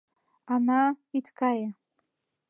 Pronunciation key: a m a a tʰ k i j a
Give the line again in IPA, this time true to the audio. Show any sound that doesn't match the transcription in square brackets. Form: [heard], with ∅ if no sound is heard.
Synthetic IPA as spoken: a [n] a [i] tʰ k [a] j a